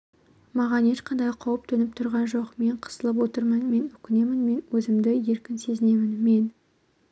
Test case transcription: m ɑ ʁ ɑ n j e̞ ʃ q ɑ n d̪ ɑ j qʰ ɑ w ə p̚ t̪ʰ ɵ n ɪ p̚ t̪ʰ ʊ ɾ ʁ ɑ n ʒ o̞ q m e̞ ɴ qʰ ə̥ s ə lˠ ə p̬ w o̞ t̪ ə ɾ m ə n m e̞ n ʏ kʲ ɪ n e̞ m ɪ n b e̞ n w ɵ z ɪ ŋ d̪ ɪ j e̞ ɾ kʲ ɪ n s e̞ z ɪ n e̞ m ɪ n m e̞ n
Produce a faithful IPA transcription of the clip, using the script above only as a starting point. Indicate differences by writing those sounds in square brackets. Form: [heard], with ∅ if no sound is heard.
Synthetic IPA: m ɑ ʁ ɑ n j e̞ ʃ q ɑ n d̪ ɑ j qʰ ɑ w ə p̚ t̪ʰ ɵ n ɪ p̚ t̪ʰ ʊ ɾ ʁ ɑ n ʒ o̞ q m e̞ ɴ qʰ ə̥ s ə lˠ ə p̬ w o̞ t̪ ə ɾ m ə n m e̞ n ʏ kʲ ɪ n e̞ m ɪ n [m] e̞ n w ɵ z ɪ [m] d̪ ɪ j e̞ ɾ kʲ ɪ n s e̞ z ɪ n e̞ m ɪ n m e̞ n